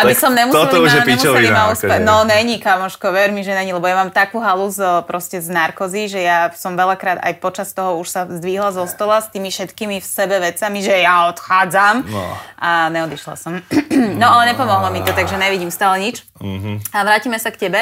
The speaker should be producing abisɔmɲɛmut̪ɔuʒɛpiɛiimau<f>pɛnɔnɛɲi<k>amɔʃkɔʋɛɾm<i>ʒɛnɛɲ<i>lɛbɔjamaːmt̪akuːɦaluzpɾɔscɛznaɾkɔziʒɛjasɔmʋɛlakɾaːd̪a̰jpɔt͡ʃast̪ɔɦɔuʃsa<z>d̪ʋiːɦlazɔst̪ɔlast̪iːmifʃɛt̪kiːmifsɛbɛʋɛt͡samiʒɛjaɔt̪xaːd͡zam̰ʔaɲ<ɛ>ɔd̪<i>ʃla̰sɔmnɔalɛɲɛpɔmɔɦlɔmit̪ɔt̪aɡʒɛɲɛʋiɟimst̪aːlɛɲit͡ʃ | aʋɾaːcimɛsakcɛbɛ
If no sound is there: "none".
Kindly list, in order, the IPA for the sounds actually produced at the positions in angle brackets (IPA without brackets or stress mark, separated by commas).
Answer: s, k, i, i, z, ɛ, i